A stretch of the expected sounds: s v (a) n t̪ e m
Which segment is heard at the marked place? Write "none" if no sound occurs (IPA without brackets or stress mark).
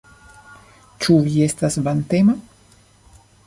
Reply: a